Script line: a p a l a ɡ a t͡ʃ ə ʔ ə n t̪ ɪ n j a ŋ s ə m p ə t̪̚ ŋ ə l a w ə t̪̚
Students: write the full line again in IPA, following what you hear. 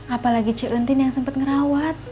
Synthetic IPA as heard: a p a l a ɡ i t͡ʃ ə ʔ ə n t̪ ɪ n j a ŋ s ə m p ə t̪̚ ŋ ə ɾ a w a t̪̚